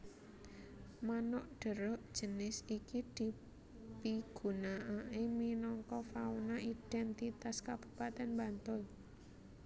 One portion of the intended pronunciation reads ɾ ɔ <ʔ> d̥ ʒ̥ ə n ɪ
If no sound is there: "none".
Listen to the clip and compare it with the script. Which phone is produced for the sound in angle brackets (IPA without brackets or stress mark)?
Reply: ʔ